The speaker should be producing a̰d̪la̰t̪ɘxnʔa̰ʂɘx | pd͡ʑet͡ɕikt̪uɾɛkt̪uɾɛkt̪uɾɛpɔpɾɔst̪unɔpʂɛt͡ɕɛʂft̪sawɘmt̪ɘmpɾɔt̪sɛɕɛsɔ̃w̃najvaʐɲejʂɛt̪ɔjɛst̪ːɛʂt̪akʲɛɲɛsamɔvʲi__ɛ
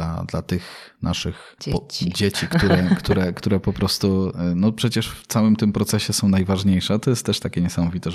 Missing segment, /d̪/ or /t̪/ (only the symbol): t̪